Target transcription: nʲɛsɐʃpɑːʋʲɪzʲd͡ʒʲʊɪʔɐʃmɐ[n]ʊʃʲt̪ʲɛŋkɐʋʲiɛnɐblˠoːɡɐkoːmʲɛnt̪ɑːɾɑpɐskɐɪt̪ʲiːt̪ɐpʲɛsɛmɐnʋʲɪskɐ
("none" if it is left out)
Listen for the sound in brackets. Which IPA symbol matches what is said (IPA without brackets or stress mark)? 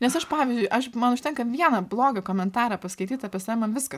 n